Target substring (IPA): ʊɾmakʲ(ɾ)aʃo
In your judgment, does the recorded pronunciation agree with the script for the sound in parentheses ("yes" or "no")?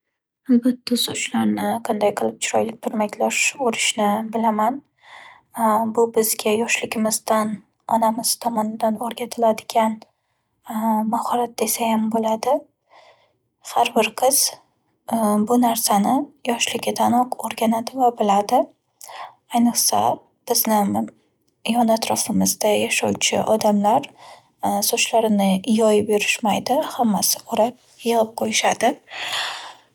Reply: no